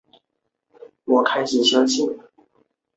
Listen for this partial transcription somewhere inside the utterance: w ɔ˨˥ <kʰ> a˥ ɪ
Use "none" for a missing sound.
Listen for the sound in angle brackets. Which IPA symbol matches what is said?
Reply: kʰ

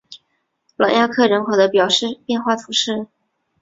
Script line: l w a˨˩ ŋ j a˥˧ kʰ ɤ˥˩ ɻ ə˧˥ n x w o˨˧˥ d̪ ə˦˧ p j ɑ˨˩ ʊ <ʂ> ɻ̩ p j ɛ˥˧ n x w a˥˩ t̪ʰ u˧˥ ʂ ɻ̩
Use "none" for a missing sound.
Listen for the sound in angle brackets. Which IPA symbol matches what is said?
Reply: ʂ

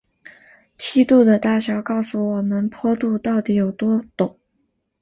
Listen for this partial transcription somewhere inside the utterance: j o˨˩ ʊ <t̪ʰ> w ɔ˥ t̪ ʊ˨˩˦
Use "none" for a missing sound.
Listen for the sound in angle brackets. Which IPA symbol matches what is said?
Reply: t̪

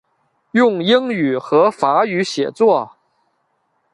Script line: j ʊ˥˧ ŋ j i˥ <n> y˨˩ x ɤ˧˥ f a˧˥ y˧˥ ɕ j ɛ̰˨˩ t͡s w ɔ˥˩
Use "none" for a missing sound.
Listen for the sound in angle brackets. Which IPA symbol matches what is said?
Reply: ŋ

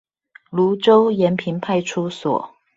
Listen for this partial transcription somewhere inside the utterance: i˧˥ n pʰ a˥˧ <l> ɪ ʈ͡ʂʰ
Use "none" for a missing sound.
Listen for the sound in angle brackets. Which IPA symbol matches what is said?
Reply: none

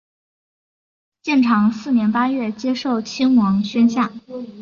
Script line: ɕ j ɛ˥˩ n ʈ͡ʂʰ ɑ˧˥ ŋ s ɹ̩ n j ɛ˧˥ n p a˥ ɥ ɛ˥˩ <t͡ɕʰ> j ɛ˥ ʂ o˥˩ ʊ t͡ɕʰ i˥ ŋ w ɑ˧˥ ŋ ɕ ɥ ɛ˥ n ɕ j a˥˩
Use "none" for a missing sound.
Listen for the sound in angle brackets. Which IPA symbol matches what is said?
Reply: t͡ɕ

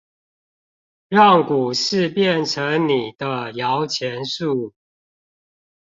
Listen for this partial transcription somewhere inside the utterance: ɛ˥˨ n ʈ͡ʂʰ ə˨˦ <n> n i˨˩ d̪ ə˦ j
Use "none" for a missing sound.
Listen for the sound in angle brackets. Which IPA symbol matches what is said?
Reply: ŋ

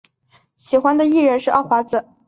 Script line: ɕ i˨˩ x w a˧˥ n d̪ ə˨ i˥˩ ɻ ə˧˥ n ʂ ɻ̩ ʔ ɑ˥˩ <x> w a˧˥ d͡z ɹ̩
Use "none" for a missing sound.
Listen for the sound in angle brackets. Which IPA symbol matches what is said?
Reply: x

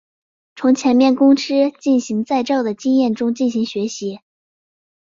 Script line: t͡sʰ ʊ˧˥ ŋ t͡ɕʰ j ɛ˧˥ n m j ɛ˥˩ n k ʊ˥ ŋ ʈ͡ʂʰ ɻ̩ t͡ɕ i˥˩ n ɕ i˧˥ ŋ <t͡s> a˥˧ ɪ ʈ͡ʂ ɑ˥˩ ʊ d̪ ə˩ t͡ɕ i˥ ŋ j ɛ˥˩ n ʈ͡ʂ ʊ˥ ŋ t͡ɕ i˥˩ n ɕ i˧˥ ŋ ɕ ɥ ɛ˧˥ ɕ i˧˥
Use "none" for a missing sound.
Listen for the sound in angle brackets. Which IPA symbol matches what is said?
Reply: t͡s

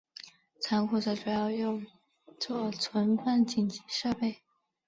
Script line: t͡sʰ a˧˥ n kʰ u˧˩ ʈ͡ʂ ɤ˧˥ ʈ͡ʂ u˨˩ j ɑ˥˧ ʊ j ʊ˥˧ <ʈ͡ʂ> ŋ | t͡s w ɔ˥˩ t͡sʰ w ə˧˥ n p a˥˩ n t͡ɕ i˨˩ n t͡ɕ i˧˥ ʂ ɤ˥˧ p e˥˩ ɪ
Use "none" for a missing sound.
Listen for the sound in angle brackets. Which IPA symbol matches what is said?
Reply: none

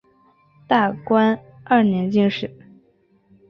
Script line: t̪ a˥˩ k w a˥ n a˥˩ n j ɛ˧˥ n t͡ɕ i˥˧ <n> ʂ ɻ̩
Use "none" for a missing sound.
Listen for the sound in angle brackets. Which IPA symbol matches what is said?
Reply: ŋ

